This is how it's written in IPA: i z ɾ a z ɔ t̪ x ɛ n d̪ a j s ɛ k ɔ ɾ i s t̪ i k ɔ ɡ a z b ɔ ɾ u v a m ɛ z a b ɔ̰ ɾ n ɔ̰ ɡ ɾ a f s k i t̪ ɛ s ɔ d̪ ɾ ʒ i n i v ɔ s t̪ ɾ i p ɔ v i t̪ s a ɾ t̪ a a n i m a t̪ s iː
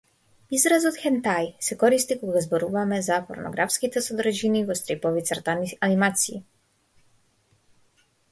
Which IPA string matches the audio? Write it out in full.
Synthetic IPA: i z ɾ a z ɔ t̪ x ɛ n t̪ a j s ɛ k ɔ ɾ i s t̪ i k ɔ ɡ a z b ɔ ɾ u v a m ɛ z a p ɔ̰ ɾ n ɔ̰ ɡ ɾ a f s k i t̪ ɛ s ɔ d̪ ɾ ʒ i n i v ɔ s t̪ ɾ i p ɔ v i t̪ s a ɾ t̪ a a n i m a t̪ s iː